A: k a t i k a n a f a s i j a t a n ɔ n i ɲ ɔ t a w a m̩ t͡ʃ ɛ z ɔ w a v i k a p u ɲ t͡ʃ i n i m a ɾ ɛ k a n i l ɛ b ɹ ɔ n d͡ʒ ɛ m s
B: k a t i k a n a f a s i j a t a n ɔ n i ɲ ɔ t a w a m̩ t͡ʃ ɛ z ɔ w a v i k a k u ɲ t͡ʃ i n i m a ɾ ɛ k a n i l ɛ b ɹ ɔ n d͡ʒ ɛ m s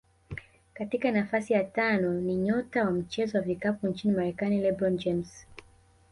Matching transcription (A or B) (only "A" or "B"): A